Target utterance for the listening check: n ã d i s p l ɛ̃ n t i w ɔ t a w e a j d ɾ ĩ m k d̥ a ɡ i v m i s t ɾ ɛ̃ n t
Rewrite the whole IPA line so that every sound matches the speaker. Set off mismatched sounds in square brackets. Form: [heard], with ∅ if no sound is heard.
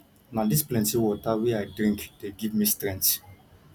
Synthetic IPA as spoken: n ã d i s p l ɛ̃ n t i w ɔ t a w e a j d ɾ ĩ [ŋ] k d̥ [e] ɡ i v m i s t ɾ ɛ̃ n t